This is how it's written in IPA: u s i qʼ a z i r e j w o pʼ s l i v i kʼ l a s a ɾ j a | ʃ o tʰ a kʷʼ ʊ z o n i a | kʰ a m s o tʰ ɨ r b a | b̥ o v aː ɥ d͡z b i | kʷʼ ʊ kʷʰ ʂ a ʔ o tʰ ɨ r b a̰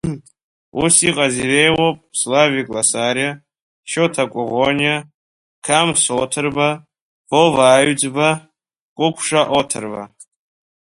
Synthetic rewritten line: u s i qʼ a z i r e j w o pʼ s l a v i kʼ l a s a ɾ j a | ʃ o tʰ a kʷʼ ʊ ʁ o n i a | kʰ a m s o tʰ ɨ r b a | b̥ o v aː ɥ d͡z b a | kʷʼ ʊ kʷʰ ʂ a ʔ o tʰ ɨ r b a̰